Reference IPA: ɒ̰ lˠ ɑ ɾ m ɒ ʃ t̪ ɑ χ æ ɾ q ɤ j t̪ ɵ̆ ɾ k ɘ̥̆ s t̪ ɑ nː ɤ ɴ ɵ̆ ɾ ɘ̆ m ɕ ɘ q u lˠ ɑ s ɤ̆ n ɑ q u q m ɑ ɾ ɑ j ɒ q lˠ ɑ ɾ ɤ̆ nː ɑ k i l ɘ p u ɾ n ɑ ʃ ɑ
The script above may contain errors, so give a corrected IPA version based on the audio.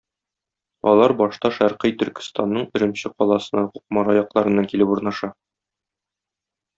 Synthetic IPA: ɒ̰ lˠ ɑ ɾ b ɒ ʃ t̪ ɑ ʃ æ ɾ q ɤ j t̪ ɵ̆ ɾ k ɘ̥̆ s t̪ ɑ nː ɤ ɴ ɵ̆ ɾ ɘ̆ m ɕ ɘ q ɒ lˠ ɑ s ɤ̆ n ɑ q u q m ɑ ɾ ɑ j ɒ q lˠ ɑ ɾ ɤ̆ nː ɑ k i l ɘ p u ɾ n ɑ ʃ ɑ